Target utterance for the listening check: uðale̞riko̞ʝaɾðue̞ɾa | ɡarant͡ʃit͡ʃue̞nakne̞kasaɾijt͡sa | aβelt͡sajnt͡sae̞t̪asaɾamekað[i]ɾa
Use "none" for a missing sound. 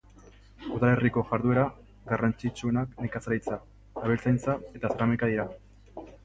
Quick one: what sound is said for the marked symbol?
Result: i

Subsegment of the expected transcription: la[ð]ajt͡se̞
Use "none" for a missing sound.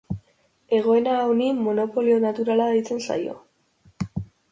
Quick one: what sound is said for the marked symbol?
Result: ð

